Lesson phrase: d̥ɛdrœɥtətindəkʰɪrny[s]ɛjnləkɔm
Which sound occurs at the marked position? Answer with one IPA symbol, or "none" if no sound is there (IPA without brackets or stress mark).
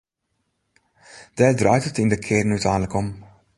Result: t